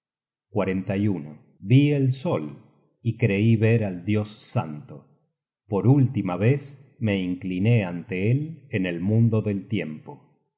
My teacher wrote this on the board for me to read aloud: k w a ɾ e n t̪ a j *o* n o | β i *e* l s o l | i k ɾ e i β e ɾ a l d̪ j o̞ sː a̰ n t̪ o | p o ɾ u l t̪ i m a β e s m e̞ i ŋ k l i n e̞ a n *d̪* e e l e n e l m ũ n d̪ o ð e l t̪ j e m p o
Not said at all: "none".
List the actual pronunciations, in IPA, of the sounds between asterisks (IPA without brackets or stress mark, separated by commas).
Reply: u, e, t̪